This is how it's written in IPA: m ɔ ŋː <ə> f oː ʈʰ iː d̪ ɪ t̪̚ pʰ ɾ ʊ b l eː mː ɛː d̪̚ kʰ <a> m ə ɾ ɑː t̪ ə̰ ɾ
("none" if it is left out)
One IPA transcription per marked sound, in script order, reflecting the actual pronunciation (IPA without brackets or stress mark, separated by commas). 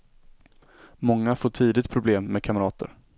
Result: a, a